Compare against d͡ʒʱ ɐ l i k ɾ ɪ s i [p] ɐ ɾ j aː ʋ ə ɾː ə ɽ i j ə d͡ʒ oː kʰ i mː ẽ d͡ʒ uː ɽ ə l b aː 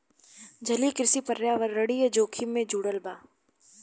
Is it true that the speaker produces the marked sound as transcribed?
yes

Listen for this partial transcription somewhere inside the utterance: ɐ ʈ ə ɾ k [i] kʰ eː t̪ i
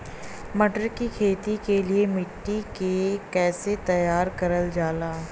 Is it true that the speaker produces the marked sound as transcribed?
yes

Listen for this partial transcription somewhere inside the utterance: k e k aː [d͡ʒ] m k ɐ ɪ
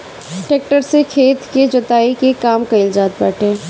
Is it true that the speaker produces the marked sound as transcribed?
no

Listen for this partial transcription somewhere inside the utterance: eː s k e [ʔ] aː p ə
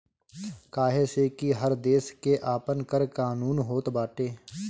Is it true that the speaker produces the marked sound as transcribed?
yes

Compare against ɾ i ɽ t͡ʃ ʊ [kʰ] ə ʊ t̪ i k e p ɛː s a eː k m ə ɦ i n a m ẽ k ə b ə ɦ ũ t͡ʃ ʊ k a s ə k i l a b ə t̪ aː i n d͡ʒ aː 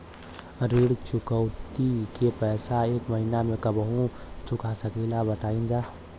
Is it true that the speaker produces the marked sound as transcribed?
no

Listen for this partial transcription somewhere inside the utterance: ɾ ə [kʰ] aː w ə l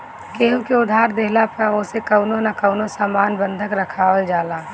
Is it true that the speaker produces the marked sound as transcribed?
yes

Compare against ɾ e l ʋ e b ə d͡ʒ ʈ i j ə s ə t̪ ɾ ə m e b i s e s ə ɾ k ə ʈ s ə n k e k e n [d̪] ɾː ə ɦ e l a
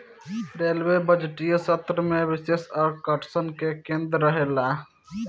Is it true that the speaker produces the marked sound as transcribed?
yes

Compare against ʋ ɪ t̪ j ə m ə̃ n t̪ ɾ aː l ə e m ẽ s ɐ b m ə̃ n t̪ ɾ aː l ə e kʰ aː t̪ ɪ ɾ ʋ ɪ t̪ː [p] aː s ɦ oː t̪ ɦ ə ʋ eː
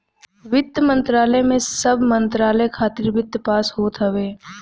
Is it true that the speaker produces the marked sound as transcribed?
yes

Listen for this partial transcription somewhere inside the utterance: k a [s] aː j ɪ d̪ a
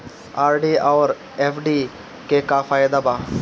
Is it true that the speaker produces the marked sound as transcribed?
no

